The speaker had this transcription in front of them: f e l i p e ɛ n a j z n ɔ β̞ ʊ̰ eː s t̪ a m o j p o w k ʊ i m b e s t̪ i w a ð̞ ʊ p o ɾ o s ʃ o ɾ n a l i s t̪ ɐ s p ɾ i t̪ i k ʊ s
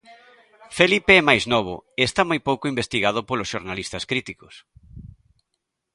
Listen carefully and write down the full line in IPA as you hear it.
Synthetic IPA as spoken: f e l i p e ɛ m a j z n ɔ β̞ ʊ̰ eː s t̪ a m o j p o w k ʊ i m b e s t̪ i ɣ a ð̞ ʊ p o l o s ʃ o ɾ n a l i s t̪ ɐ s k ɾ i t̪ i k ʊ s